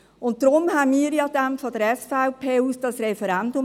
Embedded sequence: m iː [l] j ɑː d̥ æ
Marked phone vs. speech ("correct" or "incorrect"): incorrect